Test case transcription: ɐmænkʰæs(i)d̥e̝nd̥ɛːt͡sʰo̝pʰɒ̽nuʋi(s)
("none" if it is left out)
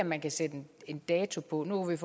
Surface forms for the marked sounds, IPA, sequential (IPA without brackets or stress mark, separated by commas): e, f